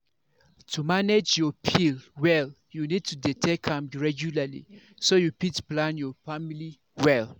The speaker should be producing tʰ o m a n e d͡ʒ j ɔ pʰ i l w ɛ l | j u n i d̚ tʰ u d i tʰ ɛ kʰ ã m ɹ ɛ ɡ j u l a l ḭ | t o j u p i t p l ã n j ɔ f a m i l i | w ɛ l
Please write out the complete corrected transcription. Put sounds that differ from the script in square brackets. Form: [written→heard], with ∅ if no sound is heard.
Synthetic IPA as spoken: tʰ [o→u] m a n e d͡ʒ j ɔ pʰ i l w ɛ l | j u n i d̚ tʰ u d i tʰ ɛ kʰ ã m ɹ ɛ ɡ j u l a l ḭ | [t→s] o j u p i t p l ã n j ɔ f a m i l i | w ɛ l